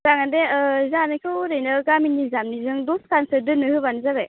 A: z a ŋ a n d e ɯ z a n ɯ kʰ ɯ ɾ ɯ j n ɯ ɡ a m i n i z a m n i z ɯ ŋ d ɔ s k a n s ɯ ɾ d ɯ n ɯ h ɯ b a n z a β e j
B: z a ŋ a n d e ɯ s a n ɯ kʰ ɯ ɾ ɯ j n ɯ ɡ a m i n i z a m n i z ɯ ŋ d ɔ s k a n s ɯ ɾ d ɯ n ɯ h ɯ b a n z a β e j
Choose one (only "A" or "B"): A